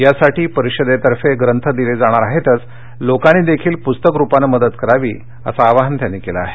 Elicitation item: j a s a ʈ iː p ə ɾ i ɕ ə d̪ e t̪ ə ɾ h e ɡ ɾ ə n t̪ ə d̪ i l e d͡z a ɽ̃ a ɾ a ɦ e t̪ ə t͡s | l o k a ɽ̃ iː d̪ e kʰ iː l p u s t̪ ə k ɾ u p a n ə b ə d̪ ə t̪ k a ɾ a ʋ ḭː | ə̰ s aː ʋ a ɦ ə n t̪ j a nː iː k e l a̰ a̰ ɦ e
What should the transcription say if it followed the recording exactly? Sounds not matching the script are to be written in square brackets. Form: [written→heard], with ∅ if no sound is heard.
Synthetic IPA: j a s a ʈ iː p ə ɾ i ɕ ə d̪ e t̪ ə ɾ [h→f] e ɡ ɾ ə n [t̪→t̪ʰ] ə d̪ i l e d͡z a ɽ̃ a ɾ a ɦ e t̪ ə t͡s | l o k a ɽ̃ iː d̪ e kʰ iː l p u s t̪ ə k ɾ u p a n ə [b→m] ə d̪ ə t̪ k [a→ə] ɾ a ʋ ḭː | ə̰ s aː ʋ a ɦ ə n t̪ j a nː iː k e l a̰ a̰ ɦ e

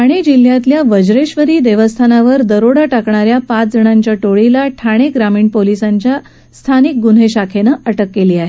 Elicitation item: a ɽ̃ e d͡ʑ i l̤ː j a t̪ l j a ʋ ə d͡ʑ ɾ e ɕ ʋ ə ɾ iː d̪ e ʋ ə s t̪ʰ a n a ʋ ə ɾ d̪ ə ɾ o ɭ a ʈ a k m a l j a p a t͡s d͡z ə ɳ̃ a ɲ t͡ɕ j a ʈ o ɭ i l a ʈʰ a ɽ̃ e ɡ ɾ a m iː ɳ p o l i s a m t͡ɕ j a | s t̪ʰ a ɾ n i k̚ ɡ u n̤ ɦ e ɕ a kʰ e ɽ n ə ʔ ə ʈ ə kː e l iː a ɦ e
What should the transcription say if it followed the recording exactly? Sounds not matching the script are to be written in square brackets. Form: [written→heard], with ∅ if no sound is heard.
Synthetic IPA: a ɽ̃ e d͡ʑ i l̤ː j a t̪ l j a ʋ ə d͡ʑ ɾ e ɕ ʋ ə ɾ iː d̪ e ʋ ə s t̪ʰ a n a ʋ ə ɾ d̪ ə ɾ o [ɭ→ɽ] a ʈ a k [m→ɳ] a [l→ɾ] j a p a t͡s d͡z ə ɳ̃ a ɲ t͡ɕ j a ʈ o ɭ i l a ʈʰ a ɽ̃ e ɡ ɾ a m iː ɳ p o l i s a [m→ɲ] t͡ɕ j a | s t̪ʰ a [ɾ→∅] n i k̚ ɡ u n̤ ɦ e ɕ a kʰ e [ɽ→∅] n ə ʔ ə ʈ ə kː e l iː a ɦ e

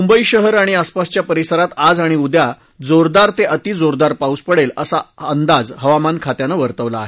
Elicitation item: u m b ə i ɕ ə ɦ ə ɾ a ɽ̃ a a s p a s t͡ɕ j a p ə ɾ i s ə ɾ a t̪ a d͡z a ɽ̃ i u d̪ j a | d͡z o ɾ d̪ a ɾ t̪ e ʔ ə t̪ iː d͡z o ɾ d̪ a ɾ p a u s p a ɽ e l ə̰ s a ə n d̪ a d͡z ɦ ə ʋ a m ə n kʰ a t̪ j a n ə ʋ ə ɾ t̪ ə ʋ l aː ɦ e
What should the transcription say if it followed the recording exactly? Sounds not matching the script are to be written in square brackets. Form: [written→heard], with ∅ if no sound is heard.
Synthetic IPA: u m b ə i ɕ ə ɦ ə ɾ a ɽ̃ [a→i] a s p a s t͡ɕ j a p ə ɾ i s ə ɾ a t̪ a d͡z a ɽ̃ i u d̪ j a | d͡z o ɾ d̪ a ɾ t̪ e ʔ ə t̪ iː d͡z o ɾ d̪ a ɾ p a u s p [a→ə] ɽ e l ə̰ s a ə n d̪ a d͡z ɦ ə ʋ a m [ə→a] n kʰ a t̪ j a n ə ʋ ə ɾ t̪ ə ʋ l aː ɦ e

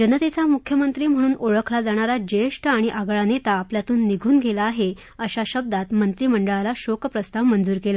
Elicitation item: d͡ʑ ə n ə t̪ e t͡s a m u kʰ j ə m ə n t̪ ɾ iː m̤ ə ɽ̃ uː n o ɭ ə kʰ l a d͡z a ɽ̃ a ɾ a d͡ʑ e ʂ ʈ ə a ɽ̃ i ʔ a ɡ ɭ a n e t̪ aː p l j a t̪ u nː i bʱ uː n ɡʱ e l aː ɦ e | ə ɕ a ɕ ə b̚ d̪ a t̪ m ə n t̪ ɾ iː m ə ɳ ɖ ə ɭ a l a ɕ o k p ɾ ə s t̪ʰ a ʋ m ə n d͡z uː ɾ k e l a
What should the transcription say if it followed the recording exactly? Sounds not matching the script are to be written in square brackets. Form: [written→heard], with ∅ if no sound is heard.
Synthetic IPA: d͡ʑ ə n ə t̪ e t͡s a m u kʰ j ə m ə n t̪ ɾ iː m̤ ə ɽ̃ uː n o ɭ ə kʰ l a d͡z a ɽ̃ a ɾ a d͡ʑ e ʂ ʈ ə a ɽ̃ i ʔ a ɡ ɭ a n e t̪ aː p l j a t̪ [u→uː] nː i [bʱ→ɡʱ] uː n ɡʱ e l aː ɦ e | ə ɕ a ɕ ə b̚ d̪ a t̪ m ə n t̪ ɾ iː m ə ɳ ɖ ə ɭ a l a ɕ o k p ɾ ə s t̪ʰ a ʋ m ə n d͡z uː ɾ k e l a

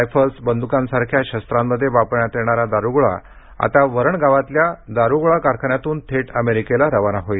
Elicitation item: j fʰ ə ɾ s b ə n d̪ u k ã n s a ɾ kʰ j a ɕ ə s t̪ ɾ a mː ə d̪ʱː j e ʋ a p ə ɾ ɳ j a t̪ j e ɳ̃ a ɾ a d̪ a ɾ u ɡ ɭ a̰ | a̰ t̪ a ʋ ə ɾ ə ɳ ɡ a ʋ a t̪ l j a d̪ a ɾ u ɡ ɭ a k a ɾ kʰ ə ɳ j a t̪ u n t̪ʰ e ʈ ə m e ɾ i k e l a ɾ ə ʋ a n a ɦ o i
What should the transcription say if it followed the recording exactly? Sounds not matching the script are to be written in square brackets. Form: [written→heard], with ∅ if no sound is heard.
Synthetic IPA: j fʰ ə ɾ s b ə n d̪ u k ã n s a ɾ kʰ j a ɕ ə s t̪ ɾ a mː ə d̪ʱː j e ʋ a p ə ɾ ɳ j a t̪ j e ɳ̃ a ɾ a d̪ a ɾ u ɡ ɭ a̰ | a̰ t̪ a ʋ ə ɾ ə ɳ ɡ a ʋ a t̪ l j a d̪ a ɾ u ɡ ɭ a k a ɾ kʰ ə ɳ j a t̪ [u→uː] n t̪ʰ e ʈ ə m e ɾ i k e l a ɾ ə ʋ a n a ɦ o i

